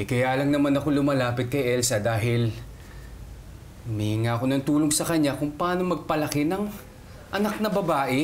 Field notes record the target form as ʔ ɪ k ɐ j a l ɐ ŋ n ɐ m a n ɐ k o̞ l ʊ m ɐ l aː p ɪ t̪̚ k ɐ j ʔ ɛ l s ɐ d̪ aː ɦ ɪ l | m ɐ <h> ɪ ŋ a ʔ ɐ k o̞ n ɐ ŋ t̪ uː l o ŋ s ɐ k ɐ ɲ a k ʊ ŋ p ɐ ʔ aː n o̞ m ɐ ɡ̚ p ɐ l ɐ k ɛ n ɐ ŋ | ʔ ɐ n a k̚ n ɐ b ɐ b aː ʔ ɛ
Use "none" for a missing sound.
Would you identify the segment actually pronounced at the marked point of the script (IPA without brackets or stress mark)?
h